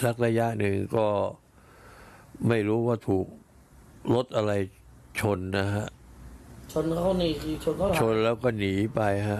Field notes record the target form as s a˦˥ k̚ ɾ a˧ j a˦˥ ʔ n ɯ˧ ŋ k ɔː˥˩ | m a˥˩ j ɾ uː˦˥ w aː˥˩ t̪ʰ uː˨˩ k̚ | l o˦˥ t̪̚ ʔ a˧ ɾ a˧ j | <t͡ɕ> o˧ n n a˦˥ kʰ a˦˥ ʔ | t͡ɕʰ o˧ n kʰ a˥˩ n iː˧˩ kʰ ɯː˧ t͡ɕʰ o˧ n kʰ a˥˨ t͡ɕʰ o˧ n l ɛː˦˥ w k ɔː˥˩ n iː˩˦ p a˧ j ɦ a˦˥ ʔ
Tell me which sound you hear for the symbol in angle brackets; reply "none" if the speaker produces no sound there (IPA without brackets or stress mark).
t͡ɕʰ